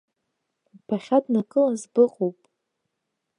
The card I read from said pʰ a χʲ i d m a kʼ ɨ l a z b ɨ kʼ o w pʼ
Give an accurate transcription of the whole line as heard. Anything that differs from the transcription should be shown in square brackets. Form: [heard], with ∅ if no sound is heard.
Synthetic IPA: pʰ a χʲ [a] d [n] a kʼ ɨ l a z b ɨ [qʼ] o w pʼ